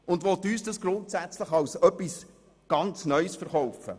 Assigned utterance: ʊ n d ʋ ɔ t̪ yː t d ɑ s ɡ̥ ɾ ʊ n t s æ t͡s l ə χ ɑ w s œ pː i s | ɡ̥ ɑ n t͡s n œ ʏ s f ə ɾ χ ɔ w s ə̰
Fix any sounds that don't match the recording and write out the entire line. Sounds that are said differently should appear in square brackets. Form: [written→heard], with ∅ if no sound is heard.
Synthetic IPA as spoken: ʊ n d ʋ ɔ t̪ yː [t→s] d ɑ s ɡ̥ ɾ ʊ n t s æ t͡s l ə χ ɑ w s œ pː i s | ɡ̥ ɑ n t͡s n œ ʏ s f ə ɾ χ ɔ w [s→f] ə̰